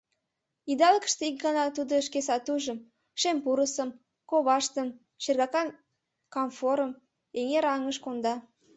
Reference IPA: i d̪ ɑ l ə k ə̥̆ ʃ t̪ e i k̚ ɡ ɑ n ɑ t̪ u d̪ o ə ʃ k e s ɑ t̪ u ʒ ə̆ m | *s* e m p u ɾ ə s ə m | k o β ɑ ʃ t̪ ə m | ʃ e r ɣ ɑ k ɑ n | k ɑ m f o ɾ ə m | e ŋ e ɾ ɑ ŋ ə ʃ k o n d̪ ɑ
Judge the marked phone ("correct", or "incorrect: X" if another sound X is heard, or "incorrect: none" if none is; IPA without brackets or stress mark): incorrect: ʃ